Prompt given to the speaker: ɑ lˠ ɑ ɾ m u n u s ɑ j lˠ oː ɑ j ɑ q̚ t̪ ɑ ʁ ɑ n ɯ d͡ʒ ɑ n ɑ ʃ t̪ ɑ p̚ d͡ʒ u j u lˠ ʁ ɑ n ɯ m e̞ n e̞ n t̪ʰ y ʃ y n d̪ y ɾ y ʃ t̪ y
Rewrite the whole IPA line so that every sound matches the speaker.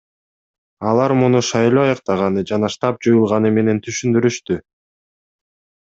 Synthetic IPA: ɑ lˠ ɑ ɾ m u n u ʃ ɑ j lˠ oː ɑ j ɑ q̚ t̪ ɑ ʁ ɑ n ɯ d͡ʒ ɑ n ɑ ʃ t̪ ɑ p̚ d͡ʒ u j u lˠ ʁ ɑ n ɯ m e̞ n e̞ n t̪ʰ y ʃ y n d̪ y ɾ y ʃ t̪ y